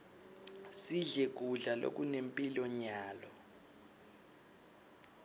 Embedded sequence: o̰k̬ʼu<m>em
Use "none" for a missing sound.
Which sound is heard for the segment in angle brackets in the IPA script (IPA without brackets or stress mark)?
n